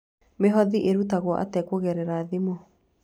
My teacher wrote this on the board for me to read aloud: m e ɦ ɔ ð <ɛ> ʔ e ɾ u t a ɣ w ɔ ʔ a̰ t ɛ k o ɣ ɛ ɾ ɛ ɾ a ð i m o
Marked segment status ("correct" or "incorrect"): incorrect